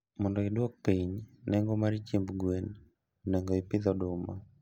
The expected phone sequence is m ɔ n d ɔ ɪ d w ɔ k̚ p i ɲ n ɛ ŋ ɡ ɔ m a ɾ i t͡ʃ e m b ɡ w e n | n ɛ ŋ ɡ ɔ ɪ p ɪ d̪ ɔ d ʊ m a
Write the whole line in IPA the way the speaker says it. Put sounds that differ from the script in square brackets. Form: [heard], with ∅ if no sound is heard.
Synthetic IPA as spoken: m ɔ n d ɔ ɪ d w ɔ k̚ p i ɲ n ɛ ŋ ɡ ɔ m a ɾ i t͡ʃ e m b ɡ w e n | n ɛ ŋ ɡ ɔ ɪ p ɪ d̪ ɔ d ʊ m a